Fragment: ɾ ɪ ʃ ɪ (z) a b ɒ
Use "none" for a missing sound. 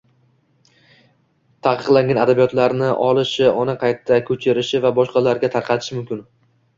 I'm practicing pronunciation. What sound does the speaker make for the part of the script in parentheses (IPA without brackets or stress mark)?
v